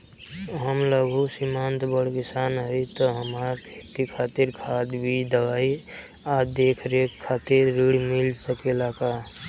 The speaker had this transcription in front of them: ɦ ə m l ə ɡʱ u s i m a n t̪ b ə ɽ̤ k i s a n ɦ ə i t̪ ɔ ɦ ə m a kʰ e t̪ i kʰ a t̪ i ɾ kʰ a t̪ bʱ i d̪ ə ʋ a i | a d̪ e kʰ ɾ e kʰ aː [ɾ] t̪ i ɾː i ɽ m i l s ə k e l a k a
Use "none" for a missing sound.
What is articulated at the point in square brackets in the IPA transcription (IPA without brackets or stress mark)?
none